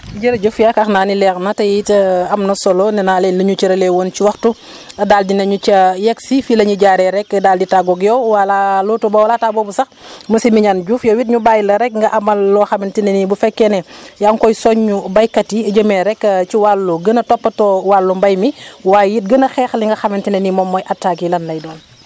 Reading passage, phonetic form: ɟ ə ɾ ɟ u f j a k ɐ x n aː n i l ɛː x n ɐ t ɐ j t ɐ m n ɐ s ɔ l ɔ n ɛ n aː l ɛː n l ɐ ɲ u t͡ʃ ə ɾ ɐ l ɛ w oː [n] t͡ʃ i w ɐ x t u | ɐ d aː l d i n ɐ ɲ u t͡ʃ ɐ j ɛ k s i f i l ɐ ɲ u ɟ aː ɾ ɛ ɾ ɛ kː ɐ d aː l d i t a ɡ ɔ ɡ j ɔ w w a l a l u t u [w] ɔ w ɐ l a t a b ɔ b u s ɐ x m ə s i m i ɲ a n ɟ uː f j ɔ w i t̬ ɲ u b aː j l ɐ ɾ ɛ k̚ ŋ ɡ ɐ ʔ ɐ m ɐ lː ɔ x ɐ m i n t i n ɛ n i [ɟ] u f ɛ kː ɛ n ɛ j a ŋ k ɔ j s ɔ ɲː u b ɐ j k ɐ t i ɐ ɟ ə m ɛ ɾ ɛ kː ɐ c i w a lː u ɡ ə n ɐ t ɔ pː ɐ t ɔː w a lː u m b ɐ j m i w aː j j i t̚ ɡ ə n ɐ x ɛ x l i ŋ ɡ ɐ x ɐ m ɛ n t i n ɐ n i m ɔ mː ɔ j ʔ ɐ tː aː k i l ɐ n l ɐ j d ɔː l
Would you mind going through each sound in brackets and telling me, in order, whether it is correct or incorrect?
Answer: correct, incorrect: b, incorrect: b

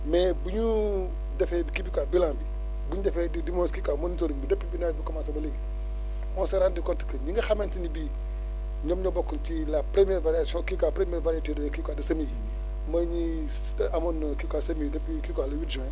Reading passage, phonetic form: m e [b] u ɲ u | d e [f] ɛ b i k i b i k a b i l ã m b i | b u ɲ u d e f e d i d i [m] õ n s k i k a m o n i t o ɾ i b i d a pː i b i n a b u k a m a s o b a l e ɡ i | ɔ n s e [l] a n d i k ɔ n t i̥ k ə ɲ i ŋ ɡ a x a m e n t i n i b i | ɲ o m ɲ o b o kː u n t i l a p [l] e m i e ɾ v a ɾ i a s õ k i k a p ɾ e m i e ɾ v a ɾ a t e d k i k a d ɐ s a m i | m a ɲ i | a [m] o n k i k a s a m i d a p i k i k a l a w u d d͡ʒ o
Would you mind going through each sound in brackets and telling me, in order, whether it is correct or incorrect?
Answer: correct, correct, correct, incorrect: ɾ, incorrect: ɾ, correct

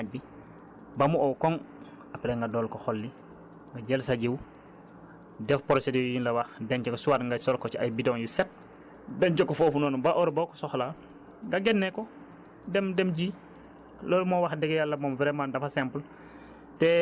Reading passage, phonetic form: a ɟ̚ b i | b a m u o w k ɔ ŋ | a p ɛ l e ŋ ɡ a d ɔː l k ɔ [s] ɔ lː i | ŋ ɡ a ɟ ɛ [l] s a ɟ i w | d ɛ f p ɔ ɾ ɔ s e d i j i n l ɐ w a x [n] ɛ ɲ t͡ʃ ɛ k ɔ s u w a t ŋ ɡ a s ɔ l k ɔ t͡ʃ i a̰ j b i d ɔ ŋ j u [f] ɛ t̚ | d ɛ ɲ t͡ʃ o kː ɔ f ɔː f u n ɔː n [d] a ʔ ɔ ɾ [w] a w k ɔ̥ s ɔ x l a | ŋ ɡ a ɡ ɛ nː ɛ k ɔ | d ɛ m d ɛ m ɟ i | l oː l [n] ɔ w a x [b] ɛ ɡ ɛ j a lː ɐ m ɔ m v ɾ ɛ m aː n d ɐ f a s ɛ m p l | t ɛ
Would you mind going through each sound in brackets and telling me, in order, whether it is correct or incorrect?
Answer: incorrect: x, correct, incorrect: d, incorrect: s, incorrect: b, incorrect: b, incorrect: m, incorrect: d

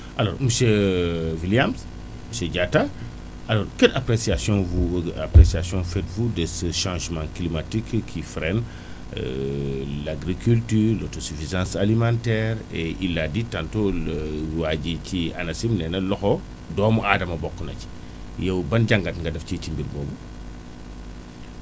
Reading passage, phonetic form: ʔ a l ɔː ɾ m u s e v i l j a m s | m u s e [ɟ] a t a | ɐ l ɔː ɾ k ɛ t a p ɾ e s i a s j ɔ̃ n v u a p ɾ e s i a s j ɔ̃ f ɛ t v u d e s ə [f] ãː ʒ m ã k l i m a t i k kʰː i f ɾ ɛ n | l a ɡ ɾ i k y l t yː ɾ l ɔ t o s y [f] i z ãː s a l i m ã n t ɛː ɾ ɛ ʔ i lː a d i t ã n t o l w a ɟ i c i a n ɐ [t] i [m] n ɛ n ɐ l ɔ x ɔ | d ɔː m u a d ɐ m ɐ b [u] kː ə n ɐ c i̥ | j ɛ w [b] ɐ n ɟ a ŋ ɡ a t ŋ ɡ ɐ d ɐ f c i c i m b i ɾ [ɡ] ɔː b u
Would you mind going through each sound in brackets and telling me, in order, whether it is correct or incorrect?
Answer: correct, incorrect: ʃ, correct, incorrect: s, correct, incorrect: ɔ, correct, incorrect: b

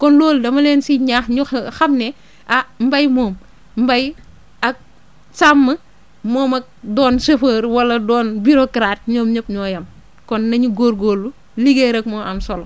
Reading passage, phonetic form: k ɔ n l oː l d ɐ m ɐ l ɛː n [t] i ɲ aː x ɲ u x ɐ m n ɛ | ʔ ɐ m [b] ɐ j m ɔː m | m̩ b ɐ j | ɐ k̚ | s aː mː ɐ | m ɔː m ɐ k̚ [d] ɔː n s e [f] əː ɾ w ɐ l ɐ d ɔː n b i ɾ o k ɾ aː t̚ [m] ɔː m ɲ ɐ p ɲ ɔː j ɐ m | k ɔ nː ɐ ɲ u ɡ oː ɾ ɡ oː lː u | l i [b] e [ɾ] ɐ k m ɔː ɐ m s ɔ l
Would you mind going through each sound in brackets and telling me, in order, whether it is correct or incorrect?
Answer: incorrect: s, correct, correct, correct, incorrect: ɲ, incorrect: ɡ, correct

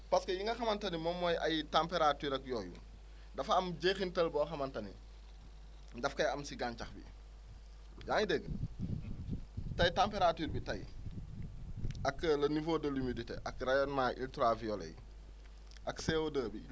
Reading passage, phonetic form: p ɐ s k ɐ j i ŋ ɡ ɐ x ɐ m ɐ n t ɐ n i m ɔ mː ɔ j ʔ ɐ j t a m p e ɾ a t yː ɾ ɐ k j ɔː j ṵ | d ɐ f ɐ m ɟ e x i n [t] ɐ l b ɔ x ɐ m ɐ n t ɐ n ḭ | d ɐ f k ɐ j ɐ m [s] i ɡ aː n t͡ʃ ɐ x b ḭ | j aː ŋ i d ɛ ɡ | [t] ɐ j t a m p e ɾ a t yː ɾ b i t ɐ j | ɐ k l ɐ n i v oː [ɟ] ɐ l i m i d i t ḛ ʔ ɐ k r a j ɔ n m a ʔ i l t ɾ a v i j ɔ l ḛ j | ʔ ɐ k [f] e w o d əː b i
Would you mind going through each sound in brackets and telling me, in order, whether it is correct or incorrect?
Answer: correct, correct, correct, incorrect: d, incorrect: s

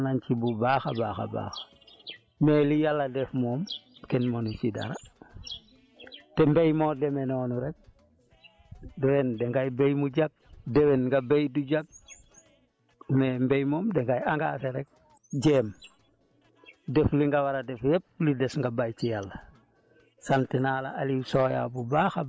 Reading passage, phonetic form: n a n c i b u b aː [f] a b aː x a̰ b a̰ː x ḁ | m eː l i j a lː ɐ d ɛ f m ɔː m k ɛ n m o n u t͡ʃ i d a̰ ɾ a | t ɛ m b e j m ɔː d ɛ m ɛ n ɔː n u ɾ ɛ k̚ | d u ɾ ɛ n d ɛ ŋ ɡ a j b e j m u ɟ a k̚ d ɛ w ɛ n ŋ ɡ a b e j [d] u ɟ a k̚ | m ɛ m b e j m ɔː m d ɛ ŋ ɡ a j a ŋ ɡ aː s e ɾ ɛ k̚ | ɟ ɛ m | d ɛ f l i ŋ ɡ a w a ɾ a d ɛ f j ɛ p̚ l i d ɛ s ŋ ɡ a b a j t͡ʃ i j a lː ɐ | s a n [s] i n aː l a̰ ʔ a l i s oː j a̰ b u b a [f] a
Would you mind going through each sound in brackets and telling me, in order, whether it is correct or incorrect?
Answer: incorrect: x, correct, incorrect: t, incorrect: x

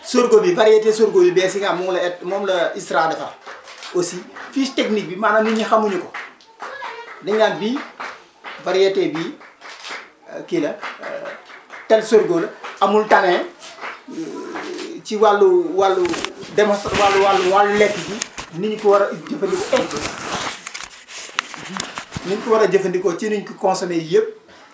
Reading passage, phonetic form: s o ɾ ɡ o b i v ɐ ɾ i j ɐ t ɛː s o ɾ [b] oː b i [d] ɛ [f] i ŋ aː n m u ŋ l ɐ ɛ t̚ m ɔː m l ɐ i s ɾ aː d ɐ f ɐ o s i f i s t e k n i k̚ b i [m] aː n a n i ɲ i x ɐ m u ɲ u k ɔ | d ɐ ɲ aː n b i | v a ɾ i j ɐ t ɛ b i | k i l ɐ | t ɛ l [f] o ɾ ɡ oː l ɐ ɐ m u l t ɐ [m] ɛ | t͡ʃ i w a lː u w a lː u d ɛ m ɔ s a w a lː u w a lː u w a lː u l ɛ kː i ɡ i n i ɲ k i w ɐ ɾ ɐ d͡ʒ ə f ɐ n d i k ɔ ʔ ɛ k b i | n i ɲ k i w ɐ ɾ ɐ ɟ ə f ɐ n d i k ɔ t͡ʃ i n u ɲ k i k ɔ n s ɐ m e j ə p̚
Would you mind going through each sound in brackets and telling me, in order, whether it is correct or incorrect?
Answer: incorrect: ɡ, incorrect: b, incorrect: s, correct, incorrect: s, incorrect: ŋ

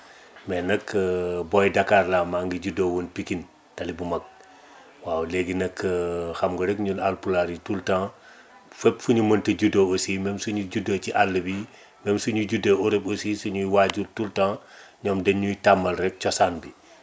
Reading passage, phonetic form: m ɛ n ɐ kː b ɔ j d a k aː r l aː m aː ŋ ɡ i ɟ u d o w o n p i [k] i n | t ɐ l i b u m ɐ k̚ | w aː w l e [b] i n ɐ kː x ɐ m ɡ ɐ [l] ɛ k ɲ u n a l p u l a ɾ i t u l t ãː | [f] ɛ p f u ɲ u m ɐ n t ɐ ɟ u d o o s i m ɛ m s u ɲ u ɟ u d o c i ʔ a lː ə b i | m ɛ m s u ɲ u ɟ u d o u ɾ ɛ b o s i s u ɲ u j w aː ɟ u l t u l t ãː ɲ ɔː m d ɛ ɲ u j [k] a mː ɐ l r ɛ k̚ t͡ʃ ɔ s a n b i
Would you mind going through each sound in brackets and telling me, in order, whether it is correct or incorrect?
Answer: correct, incorrect: ɡ, incorrect: ɾ, correct, incorrect: t

